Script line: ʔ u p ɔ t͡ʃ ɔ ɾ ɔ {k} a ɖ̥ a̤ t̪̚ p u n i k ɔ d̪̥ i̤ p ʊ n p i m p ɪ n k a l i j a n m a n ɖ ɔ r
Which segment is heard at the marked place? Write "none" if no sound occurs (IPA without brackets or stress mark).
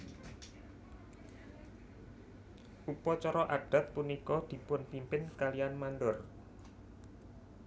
ʔ